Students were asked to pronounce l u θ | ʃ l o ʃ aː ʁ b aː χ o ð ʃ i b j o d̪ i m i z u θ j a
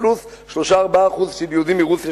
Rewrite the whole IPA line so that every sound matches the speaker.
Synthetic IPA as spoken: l u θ | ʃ l o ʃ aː ʁ b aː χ u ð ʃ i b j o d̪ i m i ʁ u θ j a